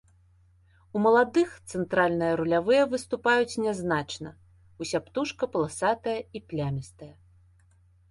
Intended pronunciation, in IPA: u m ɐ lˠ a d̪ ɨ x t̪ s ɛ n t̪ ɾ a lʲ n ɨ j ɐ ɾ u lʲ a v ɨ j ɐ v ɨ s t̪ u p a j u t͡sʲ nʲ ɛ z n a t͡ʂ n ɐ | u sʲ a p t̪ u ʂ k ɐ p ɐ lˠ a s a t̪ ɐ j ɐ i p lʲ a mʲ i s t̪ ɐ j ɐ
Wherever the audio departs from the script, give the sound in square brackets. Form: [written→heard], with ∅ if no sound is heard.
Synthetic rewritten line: u m ɐ lˠ a d̪ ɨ x t̪ s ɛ n t̪ ɾ a lʲ n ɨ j ɐ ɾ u lʲ a v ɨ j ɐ v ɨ s t̪ u p a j u t͡sʲ nʲ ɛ z n a t͡ʂ n ɐ | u sʲ a p t̪ u ʂ k ɐ p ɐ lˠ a s a t̪ ɐ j ɐ i p lʲ a mʲ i s t̪ ɐ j ɐ